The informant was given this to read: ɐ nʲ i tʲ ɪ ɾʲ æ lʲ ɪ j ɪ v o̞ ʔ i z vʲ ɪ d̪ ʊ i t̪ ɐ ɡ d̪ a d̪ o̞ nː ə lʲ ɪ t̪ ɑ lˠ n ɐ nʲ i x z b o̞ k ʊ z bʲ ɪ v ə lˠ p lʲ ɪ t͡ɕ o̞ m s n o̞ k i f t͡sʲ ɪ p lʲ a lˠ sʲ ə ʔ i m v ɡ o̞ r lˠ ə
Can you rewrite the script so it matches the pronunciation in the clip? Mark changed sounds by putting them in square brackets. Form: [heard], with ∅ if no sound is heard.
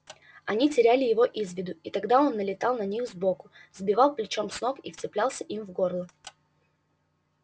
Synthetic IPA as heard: ɐ nʲ i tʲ ɪ ɾʲ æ lʲ ɪ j ɪ v o̞ ʔ i z vʲ ɪ d̪ ʊ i t̪ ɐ ɡ d̪ a [∅] o̞ nː ə lʲ ɪ t̪ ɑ lˠ n ɐ nʲ i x z b o̞ k ʊ z bʲ ɪ v [ɑ] lˠ p lʲ ɪ t͡ɕ o̞ m s n o̞ k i f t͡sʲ ɪ p lʲ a lˠ sʲ ə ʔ i m v ɡ o̞ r lˠ ə

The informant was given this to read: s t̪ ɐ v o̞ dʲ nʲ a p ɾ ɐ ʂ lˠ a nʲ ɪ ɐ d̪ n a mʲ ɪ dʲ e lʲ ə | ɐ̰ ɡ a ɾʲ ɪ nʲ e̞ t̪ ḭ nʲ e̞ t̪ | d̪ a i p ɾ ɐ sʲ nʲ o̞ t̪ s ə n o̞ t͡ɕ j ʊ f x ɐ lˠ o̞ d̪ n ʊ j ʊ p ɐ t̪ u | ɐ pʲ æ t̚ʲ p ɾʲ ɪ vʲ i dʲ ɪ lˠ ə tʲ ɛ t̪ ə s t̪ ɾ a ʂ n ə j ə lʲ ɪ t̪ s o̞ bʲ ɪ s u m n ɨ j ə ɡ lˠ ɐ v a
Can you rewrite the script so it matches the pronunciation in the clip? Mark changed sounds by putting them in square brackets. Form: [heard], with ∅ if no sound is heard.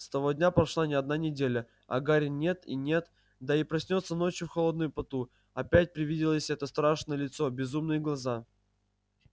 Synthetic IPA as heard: s t̪ ɐ v o̞ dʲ nʲ a p ɾ ɐ ʂ lˠ a nʲ ɪ ɐ d̪ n a [nʲ] ɪ dʲ e lʲ ə | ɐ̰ ɡ a ɾʲ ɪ nʲ e̞ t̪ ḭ nʲ e̞ t̪ | d̪ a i p ɾ ɐ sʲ nʲ o̞ t̪ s ə n o̞ t͡ɕ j ʊ f x ɐ lˠ o̞ d̪ n ʊ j ʊ p ɐ t̪ u | ɐ pʲ æ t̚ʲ p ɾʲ ɪ vʲ i dʲ ɪ lˠ ə [sʲ] ɛ t̪ ə s t̪ ɾ a ʂ n ə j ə lʲ ɪ t̪ s o̞ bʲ ɪ [z] u m n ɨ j ə ɡ lˠ ɐ [z] a

